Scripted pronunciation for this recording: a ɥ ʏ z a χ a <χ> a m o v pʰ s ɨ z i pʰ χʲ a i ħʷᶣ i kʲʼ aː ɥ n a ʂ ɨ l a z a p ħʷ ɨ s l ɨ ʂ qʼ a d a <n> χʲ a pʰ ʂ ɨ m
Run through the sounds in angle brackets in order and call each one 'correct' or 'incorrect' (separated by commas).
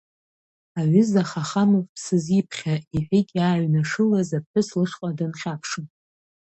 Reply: correct, correct